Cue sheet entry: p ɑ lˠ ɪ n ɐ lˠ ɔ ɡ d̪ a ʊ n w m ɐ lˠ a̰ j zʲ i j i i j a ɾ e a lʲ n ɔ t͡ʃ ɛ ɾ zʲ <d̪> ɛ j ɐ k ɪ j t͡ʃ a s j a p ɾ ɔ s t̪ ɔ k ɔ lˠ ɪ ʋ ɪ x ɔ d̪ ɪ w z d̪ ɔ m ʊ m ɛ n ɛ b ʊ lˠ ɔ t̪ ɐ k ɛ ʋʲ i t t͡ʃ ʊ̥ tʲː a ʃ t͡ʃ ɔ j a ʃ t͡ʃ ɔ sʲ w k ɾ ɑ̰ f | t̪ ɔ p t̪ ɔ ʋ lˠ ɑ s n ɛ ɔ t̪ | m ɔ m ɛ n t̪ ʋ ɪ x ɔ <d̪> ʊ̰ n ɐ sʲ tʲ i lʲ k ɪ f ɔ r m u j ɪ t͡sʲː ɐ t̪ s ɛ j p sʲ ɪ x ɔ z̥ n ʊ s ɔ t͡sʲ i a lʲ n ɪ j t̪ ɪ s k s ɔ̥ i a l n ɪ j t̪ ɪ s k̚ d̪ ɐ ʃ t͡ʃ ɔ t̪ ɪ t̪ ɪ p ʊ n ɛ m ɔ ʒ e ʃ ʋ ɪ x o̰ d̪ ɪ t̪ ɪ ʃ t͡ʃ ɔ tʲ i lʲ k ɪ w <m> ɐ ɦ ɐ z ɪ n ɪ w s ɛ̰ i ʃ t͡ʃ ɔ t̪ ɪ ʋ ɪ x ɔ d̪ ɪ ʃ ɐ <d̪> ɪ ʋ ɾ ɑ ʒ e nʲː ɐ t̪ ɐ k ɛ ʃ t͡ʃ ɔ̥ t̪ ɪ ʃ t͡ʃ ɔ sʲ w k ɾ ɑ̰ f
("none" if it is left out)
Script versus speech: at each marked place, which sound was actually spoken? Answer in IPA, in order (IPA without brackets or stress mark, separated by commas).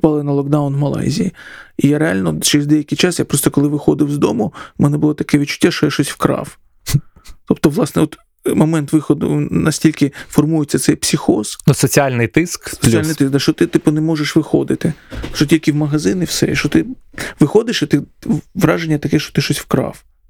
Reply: d̪, d̪, m, t̪